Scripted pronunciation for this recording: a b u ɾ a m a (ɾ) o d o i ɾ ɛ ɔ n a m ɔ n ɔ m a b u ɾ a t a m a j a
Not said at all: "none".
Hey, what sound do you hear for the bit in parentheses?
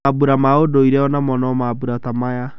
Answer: none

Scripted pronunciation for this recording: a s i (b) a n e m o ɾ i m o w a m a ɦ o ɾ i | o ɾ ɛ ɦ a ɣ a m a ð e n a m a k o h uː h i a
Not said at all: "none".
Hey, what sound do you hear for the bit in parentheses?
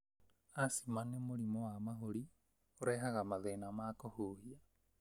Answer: m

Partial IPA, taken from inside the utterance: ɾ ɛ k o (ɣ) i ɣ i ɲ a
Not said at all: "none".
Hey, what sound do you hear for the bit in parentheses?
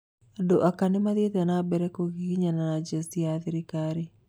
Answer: ɣ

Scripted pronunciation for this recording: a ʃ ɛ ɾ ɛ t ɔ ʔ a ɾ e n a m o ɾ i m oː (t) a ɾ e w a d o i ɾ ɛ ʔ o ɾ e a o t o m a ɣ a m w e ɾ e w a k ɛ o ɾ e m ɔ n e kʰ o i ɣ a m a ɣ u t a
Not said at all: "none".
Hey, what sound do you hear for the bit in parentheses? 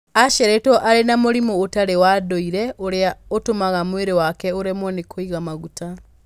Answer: t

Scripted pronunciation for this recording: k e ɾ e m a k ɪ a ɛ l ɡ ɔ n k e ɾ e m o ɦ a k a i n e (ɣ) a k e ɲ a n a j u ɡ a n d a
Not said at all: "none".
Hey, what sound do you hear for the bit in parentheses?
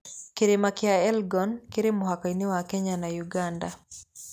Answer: w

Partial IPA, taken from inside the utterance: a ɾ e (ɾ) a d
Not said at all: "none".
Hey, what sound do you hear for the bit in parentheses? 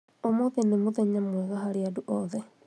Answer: none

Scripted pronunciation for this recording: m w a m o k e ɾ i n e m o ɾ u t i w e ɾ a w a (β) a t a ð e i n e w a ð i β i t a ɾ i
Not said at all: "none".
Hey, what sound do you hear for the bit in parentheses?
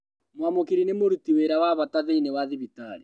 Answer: β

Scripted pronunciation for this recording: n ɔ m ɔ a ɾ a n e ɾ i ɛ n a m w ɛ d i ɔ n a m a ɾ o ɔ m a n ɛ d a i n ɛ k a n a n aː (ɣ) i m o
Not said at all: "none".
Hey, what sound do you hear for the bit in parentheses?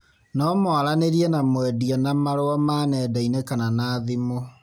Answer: ð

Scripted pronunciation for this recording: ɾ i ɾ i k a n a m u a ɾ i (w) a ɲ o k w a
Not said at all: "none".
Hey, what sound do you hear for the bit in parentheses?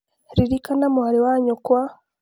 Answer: w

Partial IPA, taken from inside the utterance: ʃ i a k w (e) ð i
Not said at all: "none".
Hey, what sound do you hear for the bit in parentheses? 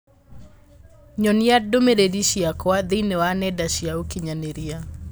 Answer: a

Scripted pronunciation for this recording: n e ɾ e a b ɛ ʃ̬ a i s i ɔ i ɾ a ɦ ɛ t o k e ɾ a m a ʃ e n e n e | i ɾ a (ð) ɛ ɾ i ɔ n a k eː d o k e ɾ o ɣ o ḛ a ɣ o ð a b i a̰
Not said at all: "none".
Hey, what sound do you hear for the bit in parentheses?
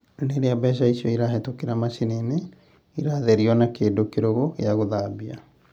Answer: ð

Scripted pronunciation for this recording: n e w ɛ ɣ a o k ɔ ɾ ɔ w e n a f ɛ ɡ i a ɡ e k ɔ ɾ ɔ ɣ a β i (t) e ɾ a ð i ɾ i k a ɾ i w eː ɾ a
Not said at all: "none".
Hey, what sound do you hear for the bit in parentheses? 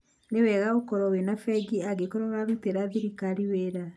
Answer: t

